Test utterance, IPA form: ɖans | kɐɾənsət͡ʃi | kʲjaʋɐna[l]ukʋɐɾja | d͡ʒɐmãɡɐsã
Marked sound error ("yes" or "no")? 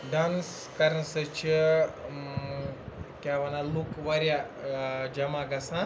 no